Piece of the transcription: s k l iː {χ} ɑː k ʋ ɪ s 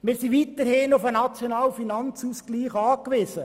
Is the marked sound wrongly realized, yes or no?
no